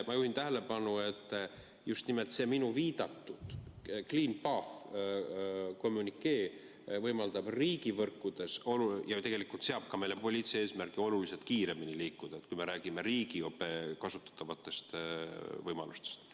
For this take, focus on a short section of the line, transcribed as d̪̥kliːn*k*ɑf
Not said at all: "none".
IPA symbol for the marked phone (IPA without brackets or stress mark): p